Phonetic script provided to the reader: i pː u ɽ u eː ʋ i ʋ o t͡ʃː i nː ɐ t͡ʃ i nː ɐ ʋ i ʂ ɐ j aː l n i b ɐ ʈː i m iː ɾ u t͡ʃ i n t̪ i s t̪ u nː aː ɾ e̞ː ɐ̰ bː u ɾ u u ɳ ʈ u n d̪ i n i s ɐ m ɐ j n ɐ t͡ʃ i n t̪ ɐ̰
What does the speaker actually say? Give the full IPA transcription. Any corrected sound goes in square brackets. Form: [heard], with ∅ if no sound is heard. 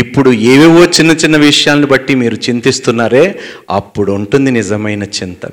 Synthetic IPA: i pː u ɽ u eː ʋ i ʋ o t͡ʃː i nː ɐ t͡ʃ i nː ɐ ʋ i ʂ ɐ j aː l n i b ɐ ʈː i m iː ɾ u t͡ʃ i n t̪ i s t̪ u nː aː ɾ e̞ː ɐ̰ [pː] u [ɽ] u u ɳ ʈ u n d̪ i n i [z] ɐ m ɐ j n ɐ t͡ʃ i n t̪ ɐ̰